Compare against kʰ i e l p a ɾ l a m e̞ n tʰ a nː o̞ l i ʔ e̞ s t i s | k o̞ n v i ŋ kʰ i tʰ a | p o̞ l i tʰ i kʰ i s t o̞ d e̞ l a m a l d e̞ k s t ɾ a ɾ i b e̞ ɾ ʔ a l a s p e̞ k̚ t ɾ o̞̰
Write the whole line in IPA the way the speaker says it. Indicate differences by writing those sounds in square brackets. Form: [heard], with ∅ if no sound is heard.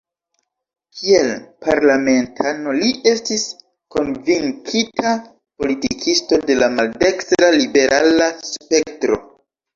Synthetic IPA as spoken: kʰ i e l p a ɾ l a m e̞ n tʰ a [n] o̞ l i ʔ e̞ s t i s | k o̞ n v i ŋ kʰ i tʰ a | p o̞ l i [t] i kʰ i s t o̞ d e̞ l a m a l d e̞ k s t ɾ a [l] i b e̞ ɾ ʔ a l a s p e̞ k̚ t ɾ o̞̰